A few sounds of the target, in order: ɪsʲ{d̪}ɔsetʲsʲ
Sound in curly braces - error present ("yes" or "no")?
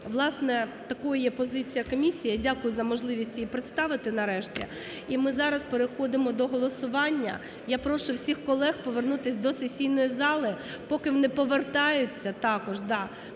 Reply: no